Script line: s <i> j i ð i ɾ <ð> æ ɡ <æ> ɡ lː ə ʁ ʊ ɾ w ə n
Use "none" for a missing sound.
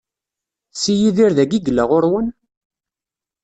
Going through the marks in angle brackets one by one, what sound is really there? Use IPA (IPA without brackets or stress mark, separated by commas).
i, ð, i